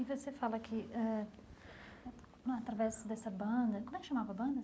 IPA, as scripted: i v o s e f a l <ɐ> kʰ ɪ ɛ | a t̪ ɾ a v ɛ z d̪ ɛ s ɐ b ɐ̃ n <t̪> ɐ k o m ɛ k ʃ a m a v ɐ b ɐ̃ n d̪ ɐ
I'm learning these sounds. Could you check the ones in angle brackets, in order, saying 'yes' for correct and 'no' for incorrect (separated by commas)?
yes, no